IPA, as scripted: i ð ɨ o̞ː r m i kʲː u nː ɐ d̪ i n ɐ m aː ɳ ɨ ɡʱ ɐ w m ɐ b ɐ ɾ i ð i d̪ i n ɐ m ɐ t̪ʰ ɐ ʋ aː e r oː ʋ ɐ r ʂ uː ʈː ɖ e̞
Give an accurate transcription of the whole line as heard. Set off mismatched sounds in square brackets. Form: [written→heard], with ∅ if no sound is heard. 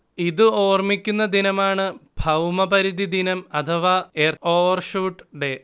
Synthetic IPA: i ð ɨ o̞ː r m i kʲː u nː ɐ d̪ i n ɐ m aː ɳ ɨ [ɡʱ→bʱ] ɐ w m ɐ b ɐ ɾ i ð i d̪ i n ɐ m ɐ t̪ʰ ɐ ʋ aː e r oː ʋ ɐ r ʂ uː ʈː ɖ e̞